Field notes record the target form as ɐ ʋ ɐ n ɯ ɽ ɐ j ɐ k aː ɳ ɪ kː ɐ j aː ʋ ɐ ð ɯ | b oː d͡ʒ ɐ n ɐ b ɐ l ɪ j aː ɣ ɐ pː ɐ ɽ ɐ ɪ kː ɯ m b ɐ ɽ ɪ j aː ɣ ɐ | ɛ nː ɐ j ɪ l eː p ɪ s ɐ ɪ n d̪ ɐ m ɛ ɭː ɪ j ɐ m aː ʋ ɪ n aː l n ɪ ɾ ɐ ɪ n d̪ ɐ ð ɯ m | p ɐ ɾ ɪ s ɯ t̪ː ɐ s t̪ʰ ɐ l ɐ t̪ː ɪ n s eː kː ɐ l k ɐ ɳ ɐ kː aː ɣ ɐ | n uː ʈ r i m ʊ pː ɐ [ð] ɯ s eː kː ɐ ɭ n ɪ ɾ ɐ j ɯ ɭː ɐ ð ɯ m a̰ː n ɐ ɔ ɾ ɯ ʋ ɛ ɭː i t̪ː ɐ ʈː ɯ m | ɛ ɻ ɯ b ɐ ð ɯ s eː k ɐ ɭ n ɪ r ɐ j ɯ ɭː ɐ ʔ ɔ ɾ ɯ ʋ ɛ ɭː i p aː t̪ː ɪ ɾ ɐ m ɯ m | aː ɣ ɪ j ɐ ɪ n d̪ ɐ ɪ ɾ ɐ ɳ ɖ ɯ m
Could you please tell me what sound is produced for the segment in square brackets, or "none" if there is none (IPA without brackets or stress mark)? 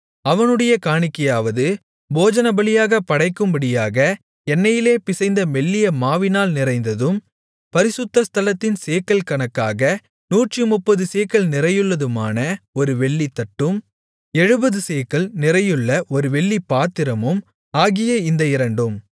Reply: ð